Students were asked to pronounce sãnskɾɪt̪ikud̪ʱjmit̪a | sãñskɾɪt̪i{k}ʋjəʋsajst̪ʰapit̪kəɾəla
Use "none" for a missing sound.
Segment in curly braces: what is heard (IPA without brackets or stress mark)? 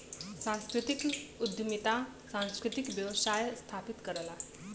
k